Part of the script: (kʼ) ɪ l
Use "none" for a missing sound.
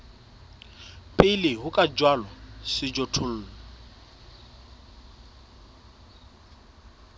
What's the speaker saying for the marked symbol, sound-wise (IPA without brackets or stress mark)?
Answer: pʼ